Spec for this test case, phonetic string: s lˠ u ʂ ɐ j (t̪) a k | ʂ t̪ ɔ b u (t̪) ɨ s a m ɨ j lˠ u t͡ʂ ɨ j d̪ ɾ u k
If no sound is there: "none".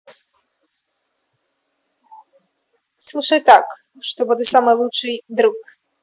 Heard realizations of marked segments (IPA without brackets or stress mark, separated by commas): t̪, d̪